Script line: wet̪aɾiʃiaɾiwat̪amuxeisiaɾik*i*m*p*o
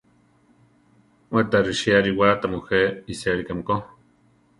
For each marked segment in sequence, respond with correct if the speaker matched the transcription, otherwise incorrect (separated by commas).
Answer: incorrect, incorrect